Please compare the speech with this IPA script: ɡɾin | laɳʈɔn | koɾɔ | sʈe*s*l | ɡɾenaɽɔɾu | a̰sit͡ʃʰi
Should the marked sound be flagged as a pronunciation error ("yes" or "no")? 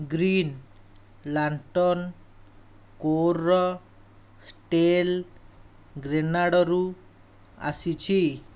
yes